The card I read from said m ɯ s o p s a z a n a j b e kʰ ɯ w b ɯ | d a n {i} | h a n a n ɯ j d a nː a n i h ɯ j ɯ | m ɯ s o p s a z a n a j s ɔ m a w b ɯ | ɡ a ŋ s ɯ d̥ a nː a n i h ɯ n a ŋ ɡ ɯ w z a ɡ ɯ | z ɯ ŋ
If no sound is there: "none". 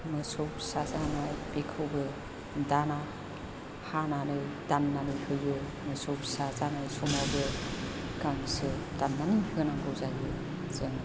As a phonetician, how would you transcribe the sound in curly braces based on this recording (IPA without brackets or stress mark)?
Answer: a